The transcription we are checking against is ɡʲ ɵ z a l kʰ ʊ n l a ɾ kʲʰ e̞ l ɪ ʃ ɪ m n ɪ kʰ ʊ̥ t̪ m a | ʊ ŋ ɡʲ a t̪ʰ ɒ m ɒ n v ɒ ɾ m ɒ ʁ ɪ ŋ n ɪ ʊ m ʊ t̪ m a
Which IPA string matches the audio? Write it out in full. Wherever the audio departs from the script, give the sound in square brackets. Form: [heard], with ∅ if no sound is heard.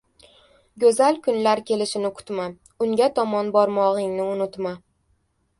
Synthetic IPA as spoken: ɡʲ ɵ z a l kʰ ʊ n l a ɾ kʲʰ e̞ l ɪ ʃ ɪ [∅] n ɪ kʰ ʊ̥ t̪ m a | ʊ ŋ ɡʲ a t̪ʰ ɒ m ɒ n [b] ɒ ɾ m ɒ ʁ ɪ ŋ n ɪ ʊ [n] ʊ t̪ m a